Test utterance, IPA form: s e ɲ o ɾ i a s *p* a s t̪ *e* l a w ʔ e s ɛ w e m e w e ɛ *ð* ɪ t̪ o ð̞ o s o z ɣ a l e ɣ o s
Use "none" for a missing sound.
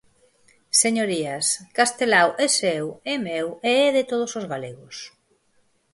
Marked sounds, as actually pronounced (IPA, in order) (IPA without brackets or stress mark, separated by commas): k, e, ð